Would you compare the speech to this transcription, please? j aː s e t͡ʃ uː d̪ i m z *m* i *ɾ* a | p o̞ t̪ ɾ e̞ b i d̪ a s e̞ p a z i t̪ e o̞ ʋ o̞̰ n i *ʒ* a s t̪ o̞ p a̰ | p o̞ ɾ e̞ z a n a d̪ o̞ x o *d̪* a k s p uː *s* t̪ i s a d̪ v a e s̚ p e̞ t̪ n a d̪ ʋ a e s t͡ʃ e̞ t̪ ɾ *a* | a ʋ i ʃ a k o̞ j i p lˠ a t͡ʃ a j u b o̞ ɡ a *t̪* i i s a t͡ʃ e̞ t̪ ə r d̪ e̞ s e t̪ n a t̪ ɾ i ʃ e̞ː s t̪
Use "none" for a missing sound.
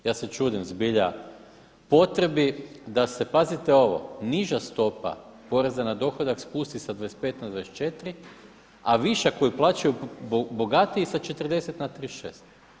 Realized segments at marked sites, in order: b, ʎ, ʒ, d̪, s, i, t̪

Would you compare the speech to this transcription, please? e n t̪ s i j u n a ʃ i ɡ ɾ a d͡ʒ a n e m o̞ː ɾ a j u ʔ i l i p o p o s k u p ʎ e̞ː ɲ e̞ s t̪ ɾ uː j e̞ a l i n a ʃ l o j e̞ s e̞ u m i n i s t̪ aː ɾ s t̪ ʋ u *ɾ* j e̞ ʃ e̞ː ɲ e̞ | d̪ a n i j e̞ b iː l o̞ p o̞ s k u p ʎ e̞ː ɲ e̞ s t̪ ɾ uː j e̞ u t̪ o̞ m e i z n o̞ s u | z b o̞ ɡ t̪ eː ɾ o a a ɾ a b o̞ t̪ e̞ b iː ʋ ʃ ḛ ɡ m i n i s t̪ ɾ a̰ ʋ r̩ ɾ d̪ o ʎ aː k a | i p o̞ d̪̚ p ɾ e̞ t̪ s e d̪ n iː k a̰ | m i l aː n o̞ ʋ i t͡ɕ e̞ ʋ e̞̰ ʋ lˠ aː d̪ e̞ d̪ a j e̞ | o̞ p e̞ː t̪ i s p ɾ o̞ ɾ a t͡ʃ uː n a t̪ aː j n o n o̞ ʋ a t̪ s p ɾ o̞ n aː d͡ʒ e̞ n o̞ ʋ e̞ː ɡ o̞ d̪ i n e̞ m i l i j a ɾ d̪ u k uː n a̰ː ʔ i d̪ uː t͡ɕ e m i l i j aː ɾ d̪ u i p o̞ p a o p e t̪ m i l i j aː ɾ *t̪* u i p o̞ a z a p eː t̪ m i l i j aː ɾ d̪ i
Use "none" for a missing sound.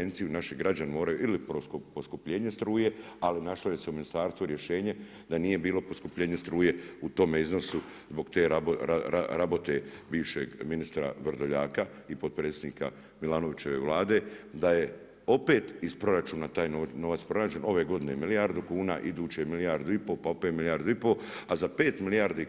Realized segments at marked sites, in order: ɾ, d̪

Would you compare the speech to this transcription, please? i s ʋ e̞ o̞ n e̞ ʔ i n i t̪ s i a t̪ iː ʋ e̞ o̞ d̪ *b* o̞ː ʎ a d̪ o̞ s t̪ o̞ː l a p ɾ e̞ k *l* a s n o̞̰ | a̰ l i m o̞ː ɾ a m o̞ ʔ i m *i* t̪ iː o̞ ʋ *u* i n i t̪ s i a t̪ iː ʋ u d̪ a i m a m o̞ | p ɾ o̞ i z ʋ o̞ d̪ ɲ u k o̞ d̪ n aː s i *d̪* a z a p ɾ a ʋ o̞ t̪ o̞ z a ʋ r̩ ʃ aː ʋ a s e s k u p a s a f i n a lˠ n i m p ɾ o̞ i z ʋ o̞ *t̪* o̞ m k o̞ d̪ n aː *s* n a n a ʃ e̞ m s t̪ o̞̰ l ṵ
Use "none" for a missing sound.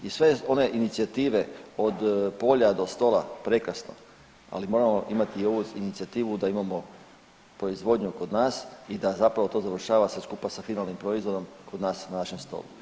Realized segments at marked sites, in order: p, ɾ, a, u, d̪, d̪, s

